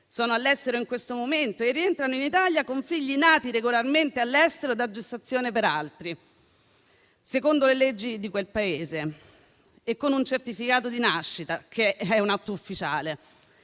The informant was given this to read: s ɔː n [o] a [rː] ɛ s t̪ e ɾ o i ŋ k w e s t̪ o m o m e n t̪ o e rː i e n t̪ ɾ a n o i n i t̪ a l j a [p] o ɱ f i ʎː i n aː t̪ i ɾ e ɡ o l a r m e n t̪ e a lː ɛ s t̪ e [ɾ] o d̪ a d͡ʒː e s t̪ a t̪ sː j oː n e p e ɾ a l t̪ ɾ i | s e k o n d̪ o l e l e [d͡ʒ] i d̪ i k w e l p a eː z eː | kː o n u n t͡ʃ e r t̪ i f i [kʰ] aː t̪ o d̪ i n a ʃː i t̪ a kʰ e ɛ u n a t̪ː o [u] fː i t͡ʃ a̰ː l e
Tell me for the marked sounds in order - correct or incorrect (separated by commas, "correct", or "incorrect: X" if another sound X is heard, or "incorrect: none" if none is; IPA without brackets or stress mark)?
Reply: correct, incorrect: lː, incorrect: k, correct, incorrect: d͡ʒː, incorrect: k, correct